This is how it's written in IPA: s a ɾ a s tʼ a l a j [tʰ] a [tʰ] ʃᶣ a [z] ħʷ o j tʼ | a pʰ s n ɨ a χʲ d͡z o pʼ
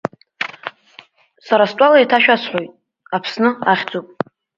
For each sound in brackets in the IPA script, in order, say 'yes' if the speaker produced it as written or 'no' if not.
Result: yes, no, no

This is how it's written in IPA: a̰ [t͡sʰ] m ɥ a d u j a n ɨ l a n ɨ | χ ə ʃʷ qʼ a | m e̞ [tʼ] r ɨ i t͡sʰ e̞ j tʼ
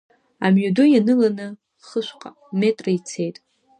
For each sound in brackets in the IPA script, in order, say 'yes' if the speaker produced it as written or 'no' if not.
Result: no, yes

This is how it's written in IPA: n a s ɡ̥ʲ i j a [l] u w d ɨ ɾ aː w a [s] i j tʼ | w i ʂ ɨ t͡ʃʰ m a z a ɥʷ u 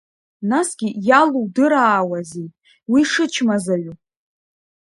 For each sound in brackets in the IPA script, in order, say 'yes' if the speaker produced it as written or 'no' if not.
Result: yes, no

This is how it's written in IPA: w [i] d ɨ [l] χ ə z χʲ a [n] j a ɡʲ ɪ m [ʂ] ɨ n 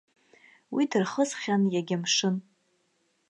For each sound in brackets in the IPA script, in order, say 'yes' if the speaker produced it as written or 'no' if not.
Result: yes, no, yes, yes

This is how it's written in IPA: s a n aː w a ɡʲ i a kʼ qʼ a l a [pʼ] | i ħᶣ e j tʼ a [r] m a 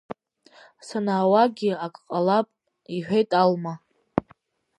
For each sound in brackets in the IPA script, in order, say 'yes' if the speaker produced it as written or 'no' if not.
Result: yes, no

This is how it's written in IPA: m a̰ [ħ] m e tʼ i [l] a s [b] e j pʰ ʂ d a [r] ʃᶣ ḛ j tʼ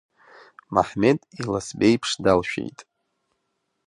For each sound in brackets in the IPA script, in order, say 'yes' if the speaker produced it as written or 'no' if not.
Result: yes, yes, yes, no

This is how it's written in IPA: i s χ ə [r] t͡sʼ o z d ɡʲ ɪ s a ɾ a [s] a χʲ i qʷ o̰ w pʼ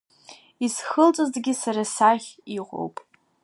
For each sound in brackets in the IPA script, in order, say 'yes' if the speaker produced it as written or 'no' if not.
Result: no, yes

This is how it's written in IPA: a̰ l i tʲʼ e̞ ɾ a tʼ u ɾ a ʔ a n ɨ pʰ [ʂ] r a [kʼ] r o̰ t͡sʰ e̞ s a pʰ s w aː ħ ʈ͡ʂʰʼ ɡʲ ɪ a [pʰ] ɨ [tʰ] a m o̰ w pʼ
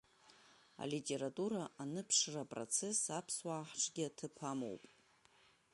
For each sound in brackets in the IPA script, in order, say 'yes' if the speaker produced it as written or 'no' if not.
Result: yes, no, no, no

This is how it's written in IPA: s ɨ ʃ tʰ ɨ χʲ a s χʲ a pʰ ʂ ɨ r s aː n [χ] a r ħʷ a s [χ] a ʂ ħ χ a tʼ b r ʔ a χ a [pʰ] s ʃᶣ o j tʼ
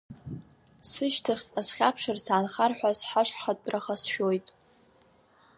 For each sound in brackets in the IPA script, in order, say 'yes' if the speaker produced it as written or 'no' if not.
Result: yes, no, no

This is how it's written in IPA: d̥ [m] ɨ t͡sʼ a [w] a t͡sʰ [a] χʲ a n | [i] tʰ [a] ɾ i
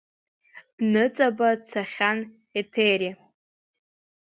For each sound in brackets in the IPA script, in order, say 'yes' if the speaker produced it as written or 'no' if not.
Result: no, no, yes, no, no

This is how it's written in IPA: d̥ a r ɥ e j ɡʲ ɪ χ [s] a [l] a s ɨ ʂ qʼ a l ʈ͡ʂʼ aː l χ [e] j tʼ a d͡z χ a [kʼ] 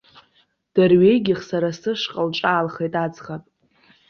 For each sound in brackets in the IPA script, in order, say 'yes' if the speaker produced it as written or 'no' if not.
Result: yes, no, yes, no

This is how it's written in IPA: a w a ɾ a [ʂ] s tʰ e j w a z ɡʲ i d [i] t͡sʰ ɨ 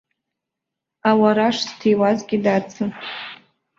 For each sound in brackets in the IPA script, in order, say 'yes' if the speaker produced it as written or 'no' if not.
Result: yes, no

